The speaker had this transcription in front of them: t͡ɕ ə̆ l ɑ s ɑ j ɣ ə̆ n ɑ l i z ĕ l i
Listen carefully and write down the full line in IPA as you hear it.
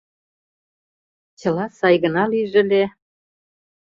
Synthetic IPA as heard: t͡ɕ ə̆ l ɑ s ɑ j ɣ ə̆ n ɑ l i ʒ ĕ l e